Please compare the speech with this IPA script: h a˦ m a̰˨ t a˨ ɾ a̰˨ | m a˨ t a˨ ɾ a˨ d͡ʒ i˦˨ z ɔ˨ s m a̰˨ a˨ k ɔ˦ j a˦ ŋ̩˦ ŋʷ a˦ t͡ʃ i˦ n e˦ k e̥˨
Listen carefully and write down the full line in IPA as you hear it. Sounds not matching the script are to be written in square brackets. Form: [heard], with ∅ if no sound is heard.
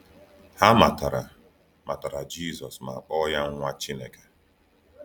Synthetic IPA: h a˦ m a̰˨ t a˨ ɾ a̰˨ | m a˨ t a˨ ɾ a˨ d͡ʒ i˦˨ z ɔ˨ s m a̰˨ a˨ [k͡p] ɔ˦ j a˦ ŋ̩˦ ŋʷ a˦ t͡ʃ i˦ n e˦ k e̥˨